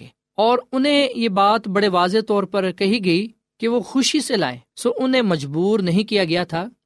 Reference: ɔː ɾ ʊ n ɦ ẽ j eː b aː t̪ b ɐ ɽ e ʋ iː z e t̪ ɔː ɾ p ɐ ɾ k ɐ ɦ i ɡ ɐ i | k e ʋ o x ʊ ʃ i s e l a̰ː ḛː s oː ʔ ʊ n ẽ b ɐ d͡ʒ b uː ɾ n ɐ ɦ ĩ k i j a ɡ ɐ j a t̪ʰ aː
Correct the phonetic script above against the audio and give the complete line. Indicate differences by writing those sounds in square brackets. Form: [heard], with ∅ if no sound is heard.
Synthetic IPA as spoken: ɔː ɾ ʊ n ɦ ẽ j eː b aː t̪ b ɐ ɽ e ʋ [aː] z e t̪ ɔː ɾ p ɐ ɾ k ɐ ɦ i ɡ ɐ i | k e ʋ o x ʊ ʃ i s e l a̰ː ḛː s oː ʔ ʊ n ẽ [m] ɐ d͡ʒ b uː ɾ n ɐ ɦ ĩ k i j a ɡ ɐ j a t̪ʰ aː